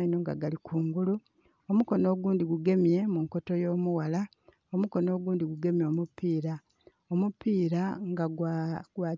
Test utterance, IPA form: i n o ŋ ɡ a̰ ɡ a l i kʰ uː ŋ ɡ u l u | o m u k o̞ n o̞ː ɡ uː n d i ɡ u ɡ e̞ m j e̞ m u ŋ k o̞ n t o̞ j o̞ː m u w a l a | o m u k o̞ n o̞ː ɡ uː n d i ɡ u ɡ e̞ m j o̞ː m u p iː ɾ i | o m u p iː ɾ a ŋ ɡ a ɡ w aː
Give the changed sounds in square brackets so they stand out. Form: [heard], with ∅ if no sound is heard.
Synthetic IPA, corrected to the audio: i n o ŋ ɡ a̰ ɡ a l i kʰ uː ŋ ɡ u l u | o m u k o̞ n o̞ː ɡ uː n d i ɡ u ɡ e̞ m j e̞ m u ŋ k o̞ [∅] t o̞ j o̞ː m u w a l a | o m u k o̞ n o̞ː ɡ uː n d i ɡ u ɡ e̞ m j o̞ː m u p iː ɾ [a] | o m u p iː ɾ a ŋ ɡ a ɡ w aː